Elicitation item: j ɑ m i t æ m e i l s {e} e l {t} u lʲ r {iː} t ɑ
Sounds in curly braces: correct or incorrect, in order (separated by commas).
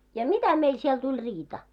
incorrect, correct, correct